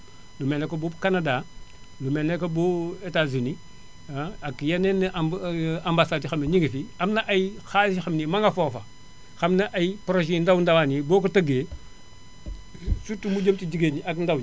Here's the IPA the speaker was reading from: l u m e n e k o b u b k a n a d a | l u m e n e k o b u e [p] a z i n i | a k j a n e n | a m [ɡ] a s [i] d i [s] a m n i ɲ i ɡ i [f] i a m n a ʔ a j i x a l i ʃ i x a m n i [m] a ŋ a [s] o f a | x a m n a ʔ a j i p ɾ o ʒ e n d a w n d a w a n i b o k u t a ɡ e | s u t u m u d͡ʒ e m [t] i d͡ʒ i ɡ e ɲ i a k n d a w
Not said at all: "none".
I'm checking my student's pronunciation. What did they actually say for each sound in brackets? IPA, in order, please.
t, b, a, x, f, m, f, t

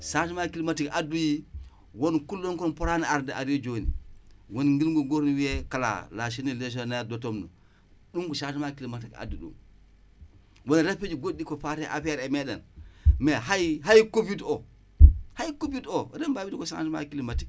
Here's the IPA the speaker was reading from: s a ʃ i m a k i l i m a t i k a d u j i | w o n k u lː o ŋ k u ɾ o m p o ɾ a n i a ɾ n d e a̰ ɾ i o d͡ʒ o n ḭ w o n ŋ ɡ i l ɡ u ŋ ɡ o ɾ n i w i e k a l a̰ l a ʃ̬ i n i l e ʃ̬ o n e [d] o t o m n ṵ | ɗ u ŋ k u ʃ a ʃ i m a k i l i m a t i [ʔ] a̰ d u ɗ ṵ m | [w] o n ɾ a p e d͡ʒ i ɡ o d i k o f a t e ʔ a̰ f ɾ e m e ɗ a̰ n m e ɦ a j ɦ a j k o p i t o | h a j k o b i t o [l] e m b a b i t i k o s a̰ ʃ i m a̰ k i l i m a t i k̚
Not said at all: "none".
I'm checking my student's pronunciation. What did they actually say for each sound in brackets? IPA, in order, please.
d, k, w, ɾ

